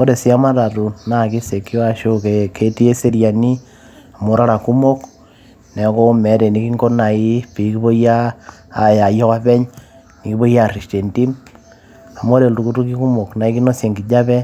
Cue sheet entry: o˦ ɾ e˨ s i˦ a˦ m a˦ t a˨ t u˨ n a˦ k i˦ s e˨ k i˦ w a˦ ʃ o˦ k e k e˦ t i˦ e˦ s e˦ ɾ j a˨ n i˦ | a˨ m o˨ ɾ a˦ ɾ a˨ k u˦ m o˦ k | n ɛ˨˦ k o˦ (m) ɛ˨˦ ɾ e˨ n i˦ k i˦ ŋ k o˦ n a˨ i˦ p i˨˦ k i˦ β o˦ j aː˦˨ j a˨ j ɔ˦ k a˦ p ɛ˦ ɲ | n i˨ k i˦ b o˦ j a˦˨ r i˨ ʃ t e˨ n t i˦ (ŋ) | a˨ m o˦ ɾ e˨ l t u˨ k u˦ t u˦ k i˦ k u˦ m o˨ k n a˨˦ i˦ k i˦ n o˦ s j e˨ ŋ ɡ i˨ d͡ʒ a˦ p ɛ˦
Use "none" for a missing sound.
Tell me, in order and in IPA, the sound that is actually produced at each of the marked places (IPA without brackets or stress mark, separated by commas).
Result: m, m